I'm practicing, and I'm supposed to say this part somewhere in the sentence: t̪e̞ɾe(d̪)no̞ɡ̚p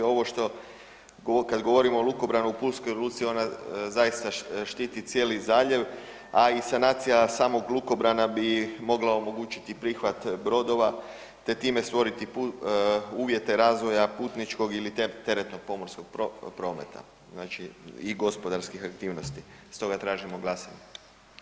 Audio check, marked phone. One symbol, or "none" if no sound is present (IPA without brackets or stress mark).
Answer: t̪